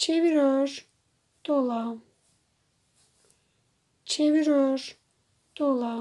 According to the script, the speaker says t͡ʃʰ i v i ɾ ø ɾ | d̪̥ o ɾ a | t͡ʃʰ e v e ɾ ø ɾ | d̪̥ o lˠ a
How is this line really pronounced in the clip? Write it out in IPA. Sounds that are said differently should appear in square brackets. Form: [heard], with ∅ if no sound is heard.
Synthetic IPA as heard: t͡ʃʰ [e] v i ɾ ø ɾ | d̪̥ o [l] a | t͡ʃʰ e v [i] ɾ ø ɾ | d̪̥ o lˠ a